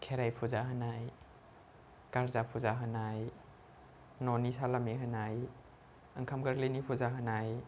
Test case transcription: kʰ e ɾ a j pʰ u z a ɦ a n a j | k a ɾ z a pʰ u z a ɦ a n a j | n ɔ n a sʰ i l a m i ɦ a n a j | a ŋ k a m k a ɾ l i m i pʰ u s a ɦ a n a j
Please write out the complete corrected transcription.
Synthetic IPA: kʰ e ɾ a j pʰ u z a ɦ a n a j | k a ɾ z a pʰ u z a ɦ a n a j | n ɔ n i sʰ a l a m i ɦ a n a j | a ŋ kʰ a m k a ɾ l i n i pʰ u z a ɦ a n a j